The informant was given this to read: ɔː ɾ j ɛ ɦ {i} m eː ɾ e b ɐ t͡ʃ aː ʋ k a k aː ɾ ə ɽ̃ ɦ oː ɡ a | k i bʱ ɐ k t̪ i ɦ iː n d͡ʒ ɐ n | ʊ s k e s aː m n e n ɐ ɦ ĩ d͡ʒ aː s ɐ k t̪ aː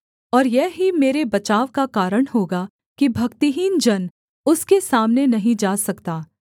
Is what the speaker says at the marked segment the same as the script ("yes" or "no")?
yes